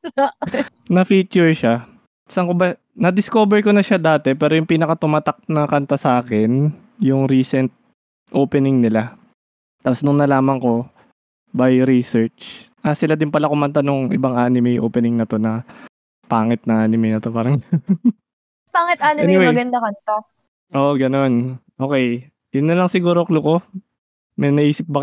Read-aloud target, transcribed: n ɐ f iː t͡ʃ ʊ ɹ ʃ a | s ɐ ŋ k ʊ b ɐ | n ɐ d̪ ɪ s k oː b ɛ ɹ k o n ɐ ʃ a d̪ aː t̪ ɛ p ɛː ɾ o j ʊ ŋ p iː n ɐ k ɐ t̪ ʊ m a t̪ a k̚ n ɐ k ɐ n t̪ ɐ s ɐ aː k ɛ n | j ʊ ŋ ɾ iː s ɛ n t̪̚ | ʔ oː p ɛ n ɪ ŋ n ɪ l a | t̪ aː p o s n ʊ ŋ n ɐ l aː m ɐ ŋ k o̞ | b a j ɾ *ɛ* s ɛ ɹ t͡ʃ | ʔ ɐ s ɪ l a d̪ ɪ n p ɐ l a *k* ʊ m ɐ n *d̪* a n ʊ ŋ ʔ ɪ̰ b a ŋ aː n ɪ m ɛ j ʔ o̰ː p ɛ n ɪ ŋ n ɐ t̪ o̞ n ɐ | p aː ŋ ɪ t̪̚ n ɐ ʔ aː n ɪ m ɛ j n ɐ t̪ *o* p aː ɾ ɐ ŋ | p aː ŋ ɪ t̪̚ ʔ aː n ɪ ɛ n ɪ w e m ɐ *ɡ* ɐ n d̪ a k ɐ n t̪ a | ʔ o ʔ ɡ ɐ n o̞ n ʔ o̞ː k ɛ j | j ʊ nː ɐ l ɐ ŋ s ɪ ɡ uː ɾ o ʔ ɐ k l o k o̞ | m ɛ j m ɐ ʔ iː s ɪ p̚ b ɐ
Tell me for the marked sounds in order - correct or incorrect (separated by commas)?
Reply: incorrect, correct, incorrect, correct, correct